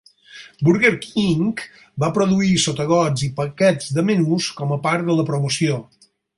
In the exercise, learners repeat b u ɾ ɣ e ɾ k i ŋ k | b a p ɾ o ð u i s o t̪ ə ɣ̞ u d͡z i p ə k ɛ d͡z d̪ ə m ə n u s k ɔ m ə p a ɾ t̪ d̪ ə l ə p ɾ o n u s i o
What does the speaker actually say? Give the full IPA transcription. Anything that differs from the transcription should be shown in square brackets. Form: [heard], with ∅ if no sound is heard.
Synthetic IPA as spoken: b u ɾ ɣ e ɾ k i ŋ k | b a p ɾ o ð u i s o t̪ ə ɣ̞ [ɔ] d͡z i p ə k ɛ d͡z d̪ ə m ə n u s k ɔ m ə p a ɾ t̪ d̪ ə l ə p ɾ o [m] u s i o